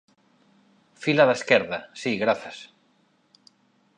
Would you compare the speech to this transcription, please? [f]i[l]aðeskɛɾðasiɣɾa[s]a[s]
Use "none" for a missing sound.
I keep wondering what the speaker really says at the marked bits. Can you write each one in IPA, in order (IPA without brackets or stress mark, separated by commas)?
f, l, θ, s